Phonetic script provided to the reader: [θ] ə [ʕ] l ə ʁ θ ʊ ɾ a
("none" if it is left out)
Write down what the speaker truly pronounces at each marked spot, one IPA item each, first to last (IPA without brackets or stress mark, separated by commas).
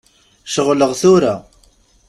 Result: ʃ, ʁ